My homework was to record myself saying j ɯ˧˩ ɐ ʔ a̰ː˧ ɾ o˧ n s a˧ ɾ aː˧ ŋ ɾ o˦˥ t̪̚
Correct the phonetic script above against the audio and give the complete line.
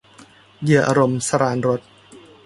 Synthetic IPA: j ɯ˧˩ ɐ ʔ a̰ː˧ ɾ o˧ m s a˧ ɾ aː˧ n ɾ o˦˥ t̪̚